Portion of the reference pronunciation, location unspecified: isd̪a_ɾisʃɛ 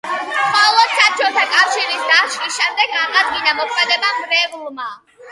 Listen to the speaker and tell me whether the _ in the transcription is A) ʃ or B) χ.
A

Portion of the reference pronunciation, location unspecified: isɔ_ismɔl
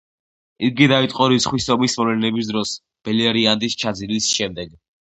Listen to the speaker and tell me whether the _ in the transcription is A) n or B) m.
B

